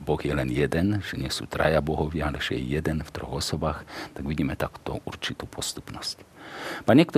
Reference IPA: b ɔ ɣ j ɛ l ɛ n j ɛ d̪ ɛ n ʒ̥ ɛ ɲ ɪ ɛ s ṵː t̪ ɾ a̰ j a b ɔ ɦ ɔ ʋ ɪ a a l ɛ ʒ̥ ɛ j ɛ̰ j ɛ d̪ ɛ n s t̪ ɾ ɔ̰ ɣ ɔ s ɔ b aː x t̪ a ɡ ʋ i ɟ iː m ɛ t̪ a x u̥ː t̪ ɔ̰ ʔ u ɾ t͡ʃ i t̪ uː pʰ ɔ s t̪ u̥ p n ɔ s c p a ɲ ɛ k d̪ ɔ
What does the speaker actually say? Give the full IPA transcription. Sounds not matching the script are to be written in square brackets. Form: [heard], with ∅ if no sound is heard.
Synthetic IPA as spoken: b ɔ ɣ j ɛ l ɛ n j ɛ d̪ ɛ n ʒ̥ ɛ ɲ ɪ ɛ s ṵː t̪ ɾ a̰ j a b ɔ ɦ ɔ ʋ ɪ a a l ɛ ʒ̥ ɛ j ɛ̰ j ɛ d̪ ɛ n [f] t̪ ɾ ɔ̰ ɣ ɔ s ɔ b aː x t̪ a ɡ ʋ i ɟ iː m ɛ t̪ a [k] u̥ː t̪ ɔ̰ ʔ u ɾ t͡ʃ i t̪ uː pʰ ɔ s t̪ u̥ p n ɔ s c p a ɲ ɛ k [t̪] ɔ